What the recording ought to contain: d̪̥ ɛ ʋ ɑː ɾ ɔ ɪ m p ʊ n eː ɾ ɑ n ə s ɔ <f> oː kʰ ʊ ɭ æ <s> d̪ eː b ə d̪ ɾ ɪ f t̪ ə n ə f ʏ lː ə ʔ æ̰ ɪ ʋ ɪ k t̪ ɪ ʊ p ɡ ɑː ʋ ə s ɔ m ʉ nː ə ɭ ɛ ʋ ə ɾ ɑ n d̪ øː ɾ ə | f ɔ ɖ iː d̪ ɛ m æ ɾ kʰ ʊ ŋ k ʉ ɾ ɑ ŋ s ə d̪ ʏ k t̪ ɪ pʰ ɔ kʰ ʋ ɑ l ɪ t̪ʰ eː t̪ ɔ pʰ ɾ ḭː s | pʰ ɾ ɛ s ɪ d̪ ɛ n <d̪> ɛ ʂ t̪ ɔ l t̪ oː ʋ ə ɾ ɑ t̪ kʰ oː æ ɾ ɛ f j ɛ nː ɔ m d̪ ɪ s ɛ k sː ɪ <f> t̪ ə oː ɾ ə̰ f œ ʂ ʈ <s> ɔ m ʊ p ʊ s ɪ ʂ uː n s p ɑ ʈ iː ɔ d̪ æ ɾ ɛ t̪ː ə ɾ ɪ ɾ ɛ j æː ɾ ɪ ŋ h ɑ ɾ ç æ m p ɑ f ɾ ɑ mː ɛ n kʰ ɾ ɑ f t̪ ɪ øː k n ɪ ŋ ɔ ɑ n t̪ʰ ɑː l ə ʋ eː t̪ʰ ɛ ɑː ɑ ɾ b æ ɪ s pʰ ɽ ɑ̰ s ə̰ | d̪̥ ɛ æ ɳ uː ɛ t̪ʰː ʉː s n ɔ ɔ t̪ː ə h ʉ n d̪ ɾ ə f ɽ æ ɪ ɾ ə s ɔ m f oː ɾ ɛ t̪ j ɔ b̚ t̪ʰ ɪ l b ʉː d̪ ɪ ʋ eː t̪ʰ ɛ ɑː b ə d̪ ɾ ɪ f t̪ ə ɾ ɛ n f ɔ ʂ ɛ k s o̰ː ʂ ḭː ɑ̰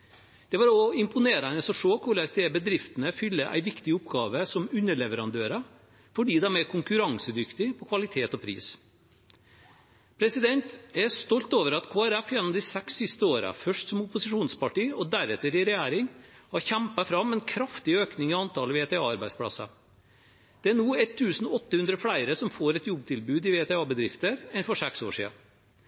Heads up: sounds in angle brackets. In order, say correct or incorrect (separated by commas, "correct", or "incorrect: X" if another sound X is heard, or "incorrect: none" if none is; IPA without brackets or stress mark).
incorrect: ʂ, correct, incorrect: t̪, incorrect: s, correct